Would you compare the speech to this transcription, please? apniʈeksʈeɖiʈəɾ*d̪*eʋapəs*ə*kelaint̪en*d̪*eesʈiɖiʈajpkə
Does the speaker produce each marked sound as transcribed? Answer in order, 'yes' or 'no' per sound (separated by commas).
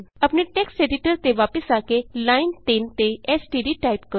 no, no, no